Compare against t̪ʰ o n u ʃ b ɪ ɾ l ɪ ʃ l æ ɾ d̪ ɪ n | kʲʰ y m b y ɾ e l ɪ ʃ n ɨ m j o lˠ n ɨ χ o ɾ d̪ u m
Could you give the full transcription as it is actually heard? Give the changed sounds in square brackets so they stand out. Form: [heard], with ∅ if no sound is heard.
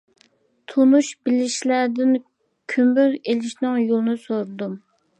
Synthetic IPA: t̪ʰ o n u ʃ b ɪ [∅] l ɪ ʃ l æ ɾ d̪ ɪ n | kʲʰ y m b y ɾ e l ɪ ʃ n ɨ [ŋ] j o lˠ n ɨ [s] o ɾ d̪ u m